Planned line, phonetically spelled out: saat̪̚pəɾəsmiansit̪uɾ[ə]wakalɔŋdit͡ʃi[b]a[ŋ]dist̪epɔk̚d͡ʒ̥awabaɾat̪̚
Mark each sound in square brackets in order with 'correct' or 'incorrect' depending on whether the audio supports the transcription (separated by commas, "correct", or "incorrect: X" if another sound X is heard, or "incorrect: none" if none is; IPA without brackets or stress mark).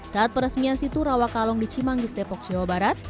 incorrect: a, incorrect: m, correct